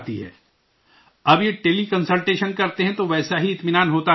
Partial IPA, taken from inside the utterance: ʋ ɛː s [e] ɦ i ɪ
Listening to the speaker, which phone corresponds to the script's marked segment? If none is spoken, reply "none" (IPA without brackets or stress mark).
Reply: a